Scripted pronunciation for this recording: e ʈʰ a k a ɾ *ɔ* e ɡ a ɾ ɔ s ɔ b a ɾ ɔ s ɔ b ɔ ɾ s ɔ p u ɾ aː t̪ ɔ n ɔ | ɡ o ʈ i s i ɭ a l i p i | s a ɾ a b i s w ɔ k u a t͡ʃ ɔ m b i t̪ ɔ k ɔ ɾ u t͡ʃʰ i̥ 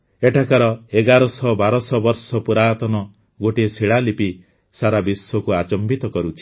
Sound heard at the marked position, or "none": ɔ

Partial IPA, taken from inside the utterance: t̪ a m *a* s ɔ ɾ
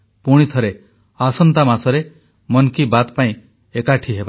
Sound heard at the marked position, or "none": a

